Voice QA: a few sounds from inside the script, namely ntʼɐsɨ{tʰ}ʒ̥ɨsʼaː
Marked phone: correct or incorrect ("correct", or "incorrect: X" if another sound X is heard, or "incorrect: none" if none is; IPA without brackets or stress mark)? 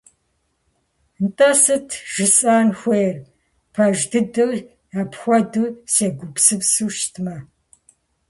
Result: correct